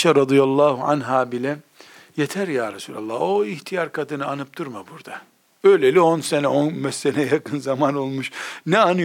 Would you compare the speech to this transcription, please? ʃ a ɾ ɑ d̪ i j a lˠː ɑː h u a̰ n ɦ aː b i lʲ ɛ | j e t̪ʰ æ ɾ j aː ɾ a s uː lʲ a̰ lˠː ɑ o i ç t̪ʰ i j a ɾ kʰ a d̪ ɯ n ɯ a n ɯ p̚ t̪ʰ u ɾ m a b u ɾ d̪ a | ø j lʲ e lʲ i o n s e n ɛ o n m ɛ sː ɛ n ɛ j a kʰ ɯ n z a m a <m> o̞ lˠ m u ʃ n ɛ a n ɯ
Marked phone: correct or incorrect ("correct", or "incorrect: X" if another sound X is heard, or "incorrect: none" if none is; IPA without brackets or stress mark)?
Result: incorrect: n